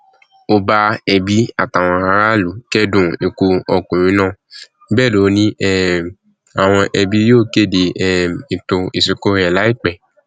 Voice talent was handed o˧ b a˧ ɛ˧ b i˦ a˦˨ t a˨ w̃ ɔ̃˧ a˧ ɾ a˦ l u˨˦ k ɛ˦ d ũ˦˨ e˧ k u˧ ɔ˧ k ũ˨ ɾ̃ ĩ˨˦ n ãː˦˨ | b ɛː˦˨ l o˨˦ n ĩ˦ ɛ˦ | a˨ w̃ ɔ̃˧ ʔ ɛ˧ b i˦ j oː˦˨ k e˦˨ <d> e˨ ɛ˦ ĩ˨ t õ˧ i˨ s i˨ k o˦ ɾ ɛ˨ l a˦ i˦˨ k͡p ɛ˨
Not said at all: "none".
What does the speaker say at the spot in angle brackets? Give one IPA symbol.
d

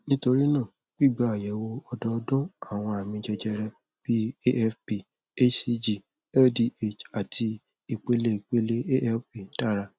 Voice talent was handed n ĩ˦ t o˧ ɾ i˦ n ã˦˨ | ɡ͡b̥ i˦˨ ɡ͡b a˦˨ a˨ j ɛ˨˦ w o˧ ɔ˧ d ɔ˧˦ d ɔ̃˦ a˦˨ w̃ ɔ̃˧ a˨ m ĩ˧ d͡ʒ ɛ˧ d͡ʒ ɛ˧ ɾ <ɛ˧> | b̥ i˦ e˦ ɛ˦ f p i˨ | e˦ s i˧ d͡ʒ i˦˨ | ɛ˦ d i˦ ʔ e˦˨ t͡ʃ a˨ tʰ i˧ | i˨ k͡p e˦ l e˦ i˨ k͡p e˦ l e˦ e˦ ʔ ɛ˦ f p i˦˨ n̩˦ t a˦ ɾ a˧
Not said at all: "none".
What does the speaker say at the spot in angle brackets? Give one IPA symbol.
ɛ˧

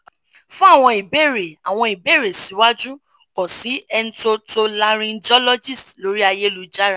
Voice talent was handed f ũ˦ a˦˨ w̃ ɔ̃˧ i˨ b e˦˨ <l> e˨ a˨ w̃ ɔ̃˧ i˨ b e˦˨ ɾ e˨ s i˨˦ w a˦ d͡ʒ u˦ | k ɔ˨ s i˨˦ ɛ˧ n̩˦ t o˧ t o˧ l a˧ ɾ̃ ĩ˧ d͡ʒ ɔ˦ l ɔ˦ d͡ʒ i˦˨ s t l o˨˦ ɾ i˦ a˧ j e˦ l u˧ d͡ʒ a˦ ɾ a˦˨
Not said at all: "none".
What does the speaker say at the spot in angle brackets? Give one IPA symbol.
ɾ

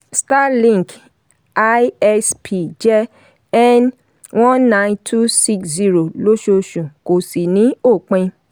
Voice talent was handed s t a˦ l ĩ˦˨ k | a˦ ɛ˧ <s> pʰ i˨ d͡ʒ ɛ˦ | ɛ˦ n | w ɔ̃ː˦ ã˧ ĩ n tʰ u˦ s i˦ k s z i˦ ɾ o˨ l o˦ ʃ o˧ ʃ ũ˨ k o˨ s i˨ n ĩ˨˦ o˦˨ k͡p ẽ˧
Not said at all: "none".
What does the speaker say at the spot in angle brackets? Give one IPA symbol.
s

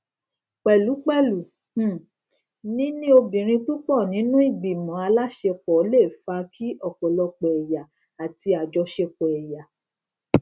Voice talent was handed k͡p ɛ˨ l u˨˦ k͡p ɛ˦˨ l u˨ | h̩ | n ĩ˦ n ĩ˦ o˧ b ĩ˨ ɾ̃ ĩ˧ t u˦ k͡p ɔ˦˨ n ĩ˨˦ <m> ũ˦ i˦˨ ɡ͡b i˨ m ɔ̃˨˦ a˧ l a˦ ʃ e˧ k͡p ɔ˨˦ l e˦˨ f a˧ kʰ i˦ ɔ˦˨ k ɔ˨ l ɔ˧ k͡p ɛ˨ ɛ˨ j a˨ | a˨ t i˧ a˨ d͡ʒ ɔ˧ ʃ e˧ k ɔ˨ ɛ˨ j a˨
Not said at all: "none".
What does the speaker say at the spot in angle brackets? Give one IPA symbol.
n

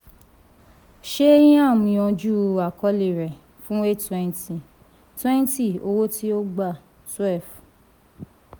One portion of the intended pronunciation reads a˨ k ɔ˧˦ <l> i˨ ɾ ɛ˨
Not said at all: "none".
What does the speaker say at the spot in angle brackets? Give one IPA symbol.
l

